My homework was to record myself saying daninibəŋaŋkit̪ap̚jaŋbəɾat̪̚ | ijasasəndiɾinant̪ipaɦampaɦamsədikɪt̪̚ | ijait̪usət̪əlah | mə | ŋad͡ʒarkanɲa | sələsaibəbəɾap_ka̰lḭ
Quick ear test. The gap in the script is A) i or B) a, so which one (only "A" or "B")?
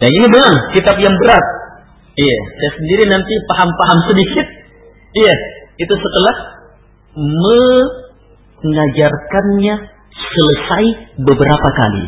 B